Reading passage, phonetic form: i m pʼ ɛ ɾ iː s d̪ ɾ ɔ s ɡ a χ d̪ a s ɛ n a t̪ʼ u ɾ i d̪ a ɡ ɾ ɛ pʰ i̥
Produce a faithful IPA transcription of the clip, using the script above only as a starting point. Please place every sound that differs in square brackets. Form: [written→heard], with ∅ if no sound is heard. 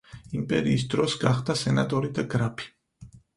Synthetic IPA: i m pʼ ɛ ɾ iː s d̪ ɾ ɔ s ɡ a χ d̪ a s ɛ n a t̪ʼ [u→ɔ] ɾ i d̪ a ɡ ɾ [ɛ→a] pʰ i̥